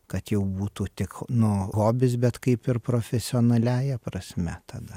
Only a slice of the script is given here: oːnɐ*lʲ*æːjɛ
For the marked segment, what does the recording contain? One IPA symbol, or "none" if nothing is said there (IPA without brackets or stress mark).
lʲ